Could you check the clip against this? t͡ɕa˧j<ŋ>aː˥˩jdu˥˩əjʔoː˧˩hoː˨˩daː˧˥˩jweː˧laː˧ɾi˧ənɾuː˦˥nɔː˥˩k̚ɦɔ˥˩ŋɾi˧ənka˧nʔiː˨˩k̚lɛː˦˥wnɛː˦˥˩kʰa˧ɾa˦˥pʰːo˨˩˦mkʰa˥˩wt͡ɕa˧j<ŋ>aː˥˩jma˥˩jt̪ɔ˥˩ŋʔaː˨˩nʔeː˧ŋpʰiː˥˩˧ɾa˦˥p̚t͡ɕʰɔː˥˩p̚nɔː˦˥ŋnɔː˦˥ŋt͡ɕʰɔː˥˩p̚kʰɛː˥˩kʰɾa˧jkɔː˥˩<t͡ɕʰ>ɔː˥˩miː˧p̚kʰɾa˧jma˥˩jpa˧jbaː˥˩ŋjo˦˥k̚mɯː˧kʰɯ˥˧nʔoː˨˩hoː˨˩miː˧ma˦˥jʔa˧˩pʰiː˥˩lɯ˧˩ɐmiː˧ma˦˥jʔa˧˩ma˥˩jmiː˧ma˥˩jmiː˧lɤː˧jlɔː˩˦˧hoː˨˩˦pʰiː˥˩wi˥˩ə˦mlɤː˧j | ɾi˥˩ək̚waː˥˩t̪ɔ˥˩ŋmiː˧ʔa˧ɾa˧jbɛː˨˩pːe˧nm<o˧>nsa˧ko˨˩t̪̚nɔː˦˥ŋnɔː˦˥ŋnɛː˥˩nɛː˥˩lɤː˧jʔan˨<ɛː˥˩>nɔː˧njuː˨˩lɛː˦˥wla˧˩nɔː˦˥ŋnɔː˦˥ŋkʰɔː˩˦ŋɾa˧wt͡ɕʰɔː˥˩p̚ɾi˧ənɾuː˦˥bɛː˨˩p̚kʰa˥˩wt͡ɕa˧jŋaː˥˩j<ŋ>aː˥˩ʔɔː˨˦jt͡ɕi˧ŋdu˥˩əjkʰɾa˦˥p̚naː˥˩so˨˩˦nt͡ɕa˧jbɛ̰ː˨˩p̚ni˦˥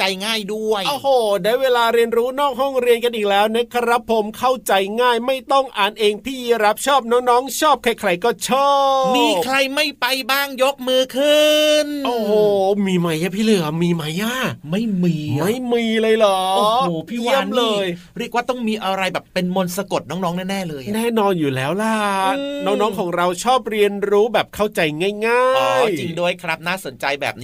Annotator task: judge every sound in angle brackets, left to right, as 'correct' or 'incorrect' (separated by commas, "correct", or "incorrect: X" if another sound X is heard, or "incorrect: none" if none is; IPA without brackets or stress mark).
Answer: correct, correct, correct, correct, correct, correct